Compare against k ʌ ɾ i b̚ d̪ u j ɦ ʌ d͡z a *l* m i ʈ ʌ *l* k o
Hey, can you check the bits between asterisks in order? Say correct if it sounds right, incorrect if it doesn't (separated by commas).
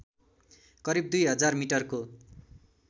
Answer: incorrect, incorrect